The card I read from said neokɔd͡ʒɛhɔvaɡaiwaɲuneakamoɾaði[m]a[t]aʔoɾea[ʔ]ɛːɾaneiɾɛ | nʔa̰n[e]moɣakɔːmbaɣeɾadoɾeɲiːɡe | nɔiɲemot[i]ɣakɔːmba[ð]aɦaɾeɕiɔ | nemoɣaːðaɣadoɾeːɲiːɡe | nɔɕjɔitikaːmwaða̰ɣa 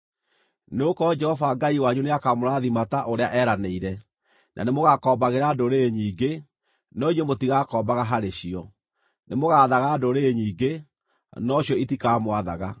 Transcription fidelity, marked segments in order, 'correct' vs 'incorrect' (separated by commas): correct, correct, correct, correct, correct, incorrect